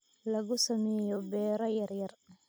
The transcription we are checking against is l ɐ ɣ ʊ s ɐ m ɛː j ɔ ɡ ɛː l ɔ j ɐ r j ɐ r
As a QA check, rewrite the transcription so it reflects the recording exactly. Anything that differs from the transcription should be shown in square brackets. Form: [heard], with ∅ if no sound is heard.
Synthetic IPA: l ɐ ɣ ʊ s ɐ m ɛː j ɔ [b] ɛː [ɾ] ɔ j ɐ r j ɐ r